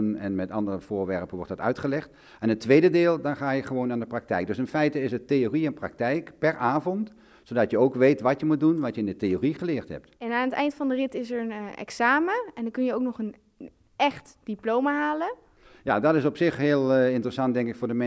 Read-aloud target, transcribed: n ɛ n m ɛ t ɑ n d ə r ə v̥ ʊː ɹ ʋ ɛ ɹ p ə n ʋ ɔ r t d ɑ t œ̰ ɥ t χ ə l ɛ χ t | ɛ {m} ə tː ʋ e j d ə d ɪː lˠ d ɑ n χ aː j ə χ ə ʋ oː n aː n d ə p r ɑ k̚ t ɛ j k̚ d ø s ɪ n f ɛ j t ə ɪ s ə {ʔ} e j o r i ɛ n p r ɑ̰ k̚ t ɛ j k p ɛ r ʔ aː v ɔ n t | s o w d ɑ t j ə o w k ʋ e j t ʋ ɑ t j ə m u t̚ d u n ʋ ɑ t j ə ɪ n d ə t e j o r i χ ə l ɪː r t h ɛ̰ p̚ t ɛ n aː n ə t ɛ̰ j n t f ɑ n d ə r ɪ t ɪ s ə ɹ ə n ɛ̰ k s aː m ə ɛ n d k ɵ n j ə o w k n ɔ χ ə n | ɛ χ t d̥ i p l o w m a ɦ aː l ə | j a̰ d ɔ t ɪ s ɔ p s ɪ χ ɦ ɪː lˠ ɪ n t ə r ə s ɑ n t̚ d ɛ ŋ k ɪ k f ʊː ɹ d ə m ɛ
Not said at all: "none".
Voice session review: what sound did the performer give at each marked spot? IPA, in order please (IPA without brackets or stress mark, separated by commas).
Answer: n, t